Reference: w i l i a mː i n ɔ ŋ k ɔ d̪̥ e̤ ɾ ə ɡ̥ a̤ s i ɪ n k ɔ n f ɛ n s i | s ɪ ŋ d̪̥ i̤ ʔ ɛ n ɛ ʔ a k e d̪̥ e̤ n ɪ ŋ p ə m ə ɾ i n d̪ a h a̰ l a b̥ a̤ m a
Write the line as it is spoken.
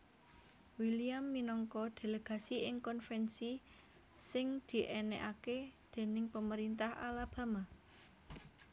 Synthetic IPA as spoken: w i l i a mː i n ɔ ŋ k ɔ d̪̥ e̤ l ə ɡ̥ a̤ s i ɪ ŋ k ɔ n f ɛ n s i | s ɪ ŋ d̪̥ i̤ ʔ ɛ n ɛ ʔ a k e d̪̥ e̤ n ɪ ŋ p ə m ə ɾ i n t̪ a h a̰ l a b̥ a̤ m a